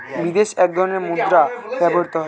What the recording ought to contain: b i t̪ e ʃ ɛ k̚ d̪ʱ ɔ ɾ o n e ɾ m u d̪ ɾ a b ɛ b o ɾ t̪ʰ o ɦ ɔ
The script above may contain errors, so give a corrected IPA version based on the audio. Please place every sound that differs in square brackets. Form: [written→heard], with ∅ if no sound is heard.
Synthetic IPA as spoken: b i [t̪→d̪] e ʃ ɛ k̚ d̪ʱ ɔ ɾ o n e ɾ m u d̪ ɾ a b ɛ b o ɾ [t̪ʰ→t̪] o ɦ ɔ